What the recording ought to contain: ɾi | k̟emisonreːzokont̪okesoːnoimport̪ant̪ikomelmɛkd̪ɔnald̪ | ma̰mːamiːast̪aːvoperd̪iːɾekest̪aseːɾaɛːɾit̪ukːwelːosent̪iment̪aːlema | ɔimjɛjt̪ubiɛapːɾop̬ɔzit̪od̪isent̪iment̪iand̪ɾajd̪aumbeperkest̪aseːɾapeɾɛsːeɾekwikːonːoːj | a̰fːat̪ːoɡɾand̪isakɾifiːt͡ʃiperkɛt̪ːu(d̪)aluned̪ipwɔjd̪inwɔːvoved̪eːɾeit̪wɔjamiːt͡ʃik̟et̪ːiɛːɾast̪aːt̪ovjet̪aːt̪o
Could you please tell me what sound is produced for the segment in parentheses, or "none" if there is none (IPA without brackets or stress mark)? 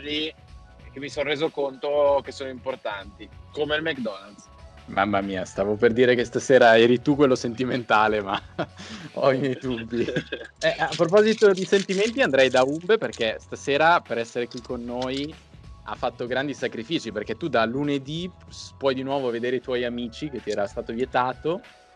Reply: d̪